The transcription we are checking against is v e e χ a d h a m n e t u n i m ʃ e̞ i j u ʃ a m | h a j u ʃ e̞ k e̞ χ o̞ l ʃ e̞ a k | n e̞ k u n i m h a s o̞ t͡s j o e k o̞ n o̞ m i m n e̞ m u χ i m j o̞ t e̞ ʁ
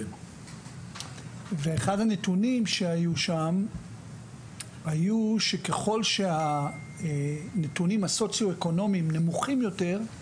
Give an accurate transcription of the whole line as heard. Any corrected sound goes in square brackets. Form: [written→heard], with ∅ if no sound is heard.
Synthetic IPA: v e e χ a d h a [m→∅] n e t u n i m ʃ e̞ [i→a] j u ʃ a m | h a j u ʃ e̞ k e̞ χ o̞ l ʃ e̞ a [k→∅] | n e̞ [k→t] u n i m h a s o̞ t͡s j o e k o̞ n o̞ m i m n e̞ m u χ i m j o̞ t e̞ ʁ